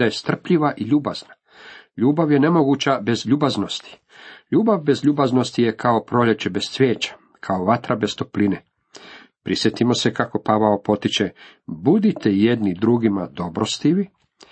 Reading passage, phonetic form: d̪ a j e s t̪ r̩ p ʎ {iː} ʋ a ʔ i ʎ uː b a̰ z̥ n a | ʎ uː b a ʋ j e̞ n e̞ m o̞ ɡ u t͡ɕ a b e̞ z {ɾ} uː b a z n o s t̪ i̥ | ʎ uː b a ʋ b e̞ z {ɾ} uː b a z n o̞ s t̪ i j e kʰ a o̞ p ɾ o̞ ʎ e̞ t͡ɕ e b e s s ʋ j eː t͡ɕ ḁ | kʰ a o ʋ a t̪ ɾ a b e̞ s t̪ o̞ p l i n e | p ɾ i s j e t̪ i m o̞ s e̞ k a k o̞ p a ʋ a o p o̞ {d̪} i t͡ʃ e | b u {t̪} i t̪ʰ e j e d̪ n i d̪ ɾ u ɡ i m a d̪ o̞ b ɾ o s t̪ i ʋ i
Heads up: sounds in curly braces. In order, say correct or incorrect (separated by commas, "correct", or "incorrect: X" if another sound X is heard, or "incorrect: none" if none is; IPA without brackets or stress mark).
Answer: incorrect: i, incorrect: ʎ, incorrect: ʎ, incorrect: t̪, incorrect: d̪